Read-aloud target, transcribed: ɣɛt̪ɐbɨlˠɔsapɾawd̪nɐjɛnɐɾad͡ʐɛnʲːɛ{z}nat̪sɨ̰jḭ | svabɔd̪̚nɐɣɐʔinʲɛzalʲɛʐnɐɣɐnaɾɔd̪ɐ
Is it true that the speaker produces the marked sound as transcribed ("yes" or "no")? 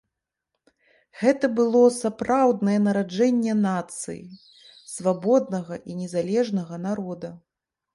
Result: no